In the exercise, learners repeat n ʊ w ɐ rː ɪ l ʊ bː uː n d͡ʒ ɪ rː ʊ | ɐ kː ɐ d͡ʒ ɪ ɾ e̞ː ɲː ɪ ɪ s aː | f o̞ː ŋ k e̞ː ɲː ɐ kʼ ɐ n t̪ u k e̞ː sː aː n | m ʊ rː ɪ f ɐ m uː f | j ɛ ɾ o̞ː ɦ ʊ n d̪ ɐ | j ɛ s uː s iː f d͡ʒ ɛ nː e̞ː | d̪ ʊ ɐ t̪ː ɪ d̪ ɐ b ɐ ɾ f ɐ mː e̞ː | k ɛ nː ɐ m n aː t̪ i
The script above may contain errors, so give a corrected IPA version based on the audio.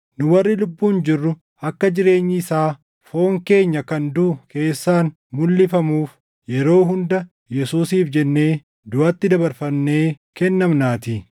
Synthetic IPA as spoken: n ʊ w ɐ rː ɪ l ʊ bː uː n d͡ʒ ɪ rː ʊ | ɐ kː ɐ d͡ʒ ɪ ɾ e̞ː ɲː ɪ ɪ s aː | f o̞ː ŋ k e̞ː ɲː ɐ k ɐ n d̪ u k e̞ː sː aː n | m ʊ lː ɪ f ɐ m uː f | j ɛ ɾ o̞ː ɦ ʊ n d̪ ɐ | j ɛ s uː s iː f d͡ʒ ɛ nː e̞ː | d̪ ʊ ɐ t̪ː ɪ d̪ ɐ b ɐ ɾ f ɐ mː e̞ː | k ɛ nː ɐ m n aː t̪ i